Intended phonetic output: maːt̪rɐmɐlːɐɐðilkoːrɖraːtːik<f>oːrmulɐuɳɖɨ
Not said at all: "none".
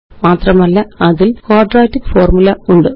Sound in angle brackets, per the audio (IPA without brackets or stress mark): f